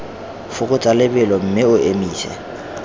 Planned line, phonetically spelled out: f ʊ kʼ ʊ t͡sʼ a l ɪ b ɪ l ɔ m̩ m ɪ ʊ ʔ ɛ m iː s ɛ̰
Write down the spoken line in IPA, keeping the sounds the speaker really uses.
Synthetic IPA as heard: f ʊ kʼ ʊ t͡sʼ a l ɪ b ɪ l ɔ m̩ m ɪ ʊ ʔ e m iː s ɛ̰